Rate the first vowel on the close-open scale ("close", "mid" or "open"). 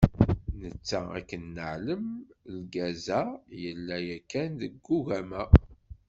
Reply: mid